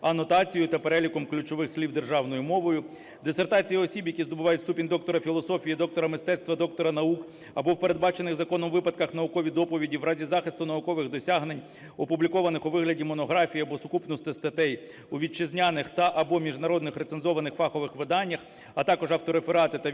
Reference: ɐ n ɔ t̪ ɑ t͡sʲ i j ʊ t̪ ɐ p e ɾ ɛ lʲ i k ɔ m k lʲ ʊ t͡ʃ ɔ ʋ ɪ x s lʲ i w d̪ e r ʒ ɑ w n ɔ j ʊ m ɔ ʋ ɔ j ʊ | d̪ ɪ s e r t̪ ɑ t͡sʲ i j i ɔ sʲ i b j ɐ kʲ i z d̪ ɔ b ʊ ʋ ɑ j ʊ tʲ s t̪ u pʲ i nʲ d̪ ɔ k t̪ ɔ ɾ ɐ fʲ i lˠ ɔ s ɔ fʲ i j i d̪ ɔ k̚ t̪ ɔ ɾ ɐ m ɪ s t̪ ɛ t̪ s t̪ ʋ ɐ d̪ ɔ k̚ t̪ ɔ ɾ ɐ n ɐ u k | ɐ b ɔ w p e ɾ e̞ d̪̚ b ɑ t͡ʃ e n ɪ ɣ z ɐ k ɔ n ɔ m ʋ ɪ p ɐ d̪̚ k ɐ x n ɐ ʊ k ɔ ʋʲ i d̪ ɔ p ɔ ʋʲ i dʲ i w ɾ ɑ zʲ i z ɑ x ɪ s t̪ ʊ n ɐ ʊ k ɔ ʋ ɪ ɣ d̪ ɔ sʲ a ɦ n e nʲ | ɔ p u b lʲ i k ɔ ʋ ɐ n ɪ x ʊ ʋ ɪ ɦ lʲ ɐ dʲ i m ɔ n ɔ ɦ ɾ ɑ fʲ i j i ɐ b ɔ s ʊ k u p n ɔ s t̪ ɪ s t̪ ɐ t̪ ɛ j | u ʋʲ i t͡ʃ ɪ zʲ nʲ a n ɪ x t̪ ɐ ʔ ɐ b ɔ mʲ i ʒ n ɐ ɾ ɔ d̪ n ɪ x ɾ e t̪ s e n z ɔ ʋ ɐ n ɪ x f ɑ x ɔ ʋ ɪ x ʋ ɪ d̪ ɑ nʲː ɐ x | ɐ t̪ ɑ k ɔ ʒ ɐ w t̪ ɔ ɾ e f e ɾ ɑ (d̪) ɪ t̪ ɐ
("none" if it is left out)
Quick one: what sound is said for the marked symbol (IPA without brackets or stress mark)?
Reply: t̪